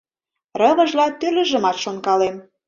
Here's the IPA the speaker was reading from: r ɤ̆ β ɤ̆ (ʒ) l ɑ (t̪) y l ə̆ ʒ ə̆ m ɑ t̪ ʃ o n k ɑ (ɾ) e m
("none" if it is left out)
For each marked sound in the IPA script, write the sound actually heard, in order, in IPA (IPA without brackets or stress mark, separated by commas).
ʒ, t̪, l